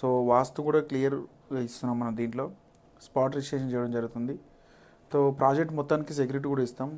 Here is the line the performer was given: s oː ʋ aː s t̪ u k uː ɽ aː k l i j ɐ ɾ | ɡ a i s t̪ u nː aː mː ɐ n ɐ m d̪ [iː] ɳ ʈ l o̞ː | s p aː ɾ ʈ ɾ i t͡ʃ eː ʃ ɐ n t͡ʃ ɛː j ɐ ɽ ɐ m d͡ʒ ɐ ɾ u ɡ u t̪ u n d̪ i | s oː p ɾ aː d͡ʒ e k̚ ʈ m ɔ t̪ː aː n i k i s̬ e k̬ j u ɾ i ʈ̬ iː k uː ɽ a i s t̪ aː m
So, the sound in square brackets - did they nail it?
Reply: yes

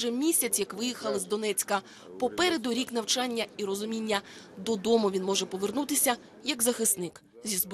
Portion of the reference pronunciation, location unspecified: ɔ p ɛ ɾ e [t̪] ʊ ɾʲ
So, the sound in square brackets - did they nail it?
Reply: no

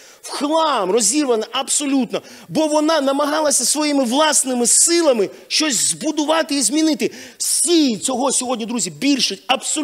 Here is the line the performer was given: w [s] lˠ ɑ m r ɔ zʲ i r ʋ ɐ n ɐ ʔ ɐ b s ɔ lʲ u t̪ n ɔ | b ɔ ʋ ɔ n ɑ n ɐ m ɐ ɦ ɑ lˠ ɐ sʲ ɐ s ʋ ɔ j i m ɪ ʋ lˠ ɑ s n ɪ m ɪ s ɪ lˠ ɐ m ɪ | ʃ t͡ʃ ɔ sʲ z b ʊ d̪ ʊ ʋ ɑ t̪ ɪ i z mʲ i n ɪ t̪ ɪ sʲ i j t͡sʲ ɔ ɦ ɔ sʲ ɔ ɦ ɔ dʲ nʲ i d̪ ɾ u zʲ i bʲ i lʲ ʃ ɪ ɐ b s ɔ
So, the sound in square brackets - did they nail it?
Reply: no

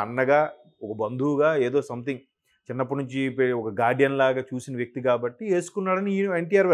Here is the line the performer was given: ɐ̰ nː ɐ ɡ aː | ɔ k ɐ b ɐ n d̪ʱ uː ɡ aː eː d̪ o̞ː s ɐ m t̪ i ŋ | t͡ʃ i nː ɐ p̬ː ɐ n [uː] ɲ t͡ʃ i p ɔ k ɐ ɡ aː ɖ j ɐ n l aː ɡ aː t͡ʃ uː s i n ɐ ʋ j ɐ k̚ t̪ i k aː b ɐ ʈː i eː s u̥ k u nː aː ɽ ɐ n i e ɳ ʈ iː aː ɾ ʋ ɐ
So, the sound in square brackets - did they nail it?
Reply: no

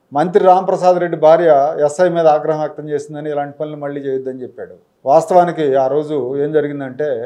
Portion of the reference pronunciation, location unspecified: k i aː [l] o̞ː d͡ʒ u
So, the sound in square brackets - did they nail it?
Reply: no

